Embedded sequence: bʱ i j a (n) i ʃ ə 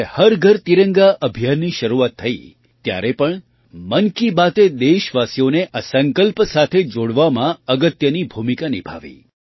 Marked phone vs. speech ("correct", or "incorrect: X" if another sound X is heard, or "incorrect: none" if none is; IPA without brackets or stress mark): incorrect: nː